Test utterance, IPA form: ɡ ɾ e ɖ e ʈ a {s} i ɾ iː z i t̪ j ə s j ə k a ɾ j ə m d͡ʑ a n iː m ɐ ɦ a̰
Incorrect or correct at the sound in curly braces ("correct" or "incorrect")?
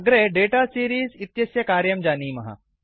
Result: correct